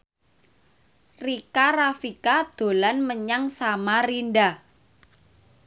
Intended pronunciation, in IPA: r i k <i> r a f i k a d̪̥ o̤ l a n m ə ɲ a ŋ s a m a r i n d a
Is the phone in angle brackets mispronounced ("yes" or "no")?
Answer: yes